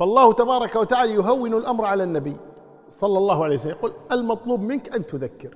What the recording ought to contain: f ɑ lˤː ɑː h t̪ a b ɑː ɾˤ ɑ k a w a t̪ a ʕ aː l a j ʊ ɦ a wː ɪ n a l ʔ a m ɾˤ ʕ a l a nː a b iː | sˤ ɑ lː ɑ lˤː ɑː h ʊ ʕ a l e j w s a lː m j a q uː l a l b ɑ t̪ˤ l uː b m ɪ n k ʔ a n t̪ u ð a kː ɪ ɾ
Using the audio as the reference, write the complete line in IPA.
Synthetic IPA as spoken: f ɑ lˤː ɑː h t̪ a b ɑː ɾˤ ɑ k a w a t̪ a ʕ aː l a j ʊ ɦ a wː ɪ n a l ʔ a m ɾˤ ʕ a l a nː a b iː | sˤ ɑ lː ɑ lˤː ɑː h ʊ ʕ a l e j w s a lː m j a q uː l a l m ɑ t̪ˤ l uː b m ɪ n k ʔ a n t̪ ʊ ð a kː ɪ ɾ